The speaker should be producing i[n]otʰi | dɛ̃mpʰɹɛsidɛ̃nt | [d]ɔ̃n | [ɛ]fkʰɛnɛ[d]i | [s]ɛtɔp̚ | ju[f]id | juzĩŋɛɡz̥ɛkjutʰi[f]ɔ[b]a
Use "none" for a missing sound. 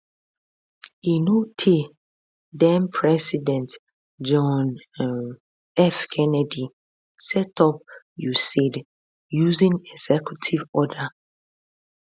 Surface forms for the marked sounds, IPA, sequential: n, d͡ʒ, ɛ, d, s, s, v, d

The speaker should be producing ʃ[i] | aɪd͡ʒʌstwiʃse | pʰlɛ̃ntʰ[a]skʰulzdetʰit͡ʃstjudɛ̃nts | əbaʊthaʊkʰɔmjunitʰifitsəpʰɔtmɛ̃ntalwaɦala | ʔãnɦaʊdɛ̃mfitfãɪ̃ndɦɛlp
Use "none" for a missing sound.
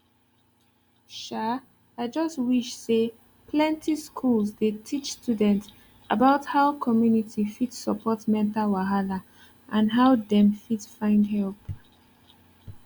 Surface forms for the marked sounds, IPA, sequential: a, i

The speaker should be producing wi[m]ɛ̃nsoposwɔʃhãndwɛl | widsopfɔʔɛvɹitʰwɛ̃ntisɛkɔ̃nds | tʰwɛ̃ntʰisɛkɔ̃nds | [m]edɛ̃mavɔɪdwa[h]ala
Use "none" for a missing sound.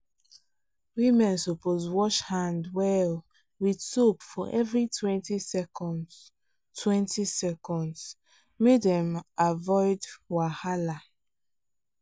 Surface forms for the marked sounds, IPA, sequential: m, m, h

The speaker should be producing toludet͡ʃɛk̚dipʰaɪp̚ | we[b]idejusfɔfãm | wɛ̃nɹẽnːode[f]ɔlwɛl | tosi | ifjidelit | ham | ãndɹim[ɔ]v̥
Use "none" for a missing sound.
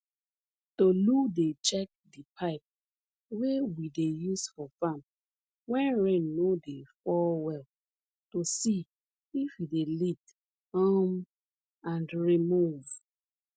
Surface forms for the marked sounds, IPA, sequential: w, f, u

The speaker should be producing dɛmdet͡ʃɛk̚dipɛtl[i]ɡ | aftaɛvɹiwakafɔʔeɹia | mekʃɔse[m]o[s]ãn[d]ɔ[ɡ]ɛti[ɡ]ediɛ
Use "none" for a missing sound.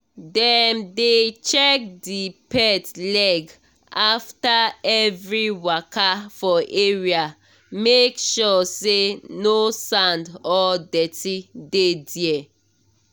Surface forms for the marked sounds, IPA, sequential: ɛ, n, s, d, d, d

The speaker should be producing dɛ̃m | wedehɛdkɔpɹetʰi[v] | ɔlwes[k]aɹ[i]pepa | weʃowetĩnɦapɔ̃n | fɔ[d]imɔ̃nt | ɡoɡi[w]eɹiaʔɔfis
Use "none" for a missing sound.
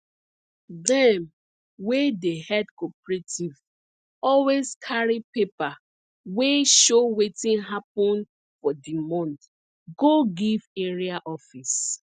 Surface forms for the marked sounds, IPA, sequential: v, kʰ, i, d, v

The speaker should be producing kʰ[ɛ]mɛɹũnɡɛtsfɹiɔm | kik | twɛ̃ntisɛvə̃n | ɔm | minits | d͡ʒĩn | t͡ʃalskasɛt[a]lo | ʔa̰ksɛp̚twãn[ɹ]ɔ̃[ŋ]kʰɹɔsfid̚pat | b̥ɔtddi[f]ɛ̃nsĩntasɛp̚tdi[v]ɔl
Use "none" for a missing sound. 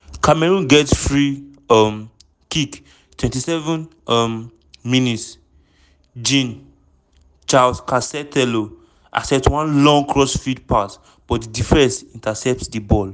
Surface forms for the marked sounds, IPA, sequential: a, ɛ, l, ŋ, f, b

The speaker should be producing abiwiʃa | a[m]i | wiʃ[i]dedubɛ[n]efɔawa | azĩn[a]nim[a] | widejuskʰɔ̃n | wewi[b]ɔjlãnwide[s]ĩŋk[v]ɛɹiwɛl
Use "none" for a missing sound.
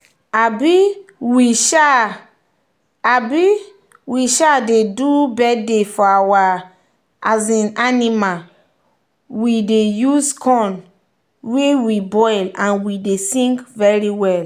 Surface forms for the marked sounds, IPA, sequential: b, a, d, a, a, b, s, v

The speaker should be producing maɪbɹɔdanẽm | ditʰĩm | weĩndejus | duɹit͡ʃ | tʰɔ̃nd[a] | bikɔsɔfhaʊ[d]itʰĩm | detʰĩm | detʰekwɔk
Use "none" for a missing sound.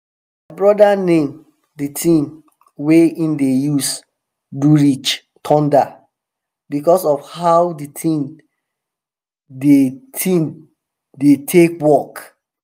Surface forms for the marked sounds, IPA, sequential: a, d

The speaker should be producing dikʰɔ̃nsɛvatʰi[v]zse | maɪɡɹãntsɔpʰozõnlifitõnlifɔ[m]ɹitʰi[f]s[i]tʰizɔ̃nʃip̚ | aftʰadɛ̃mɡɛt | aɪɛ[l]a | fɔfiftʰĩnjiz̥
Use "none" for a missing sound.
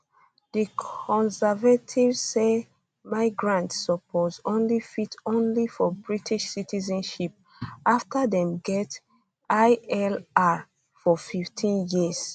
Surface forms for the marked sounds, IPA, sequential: v, b, ʃ, i, l

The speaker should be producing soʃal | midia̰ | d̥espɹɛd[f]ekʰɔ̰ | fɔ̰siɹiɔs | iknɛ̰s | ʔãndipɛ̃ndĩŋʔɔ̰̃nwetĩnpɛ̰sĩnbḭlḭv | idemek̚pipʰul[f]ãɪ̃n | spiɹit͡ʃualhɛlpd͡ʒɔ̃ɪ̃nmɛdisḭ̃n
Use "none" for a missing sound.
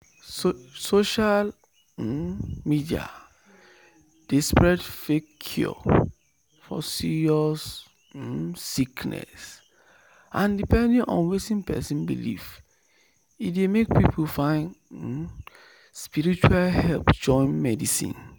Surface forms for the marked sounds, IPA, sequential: f, f

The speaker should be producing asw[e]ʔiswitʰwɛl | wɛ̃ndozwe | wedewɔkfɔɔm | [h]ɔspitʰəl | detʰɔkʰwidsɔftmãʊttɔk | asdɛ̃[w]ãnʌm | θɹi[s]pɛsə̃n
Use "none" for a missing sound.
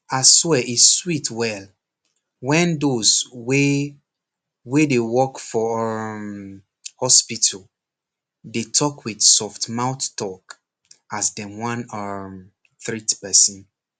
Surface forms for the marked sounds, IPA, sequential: ɛ, h, w, t

